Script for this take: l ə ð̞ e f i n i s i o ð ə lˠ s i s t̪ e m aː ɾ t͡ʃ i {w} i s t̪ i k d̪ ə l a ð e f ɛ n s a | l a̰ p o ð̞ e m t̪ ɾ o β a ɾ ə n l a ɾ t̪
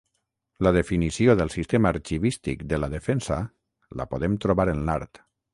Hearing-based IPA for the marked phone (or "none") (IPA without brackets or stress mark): β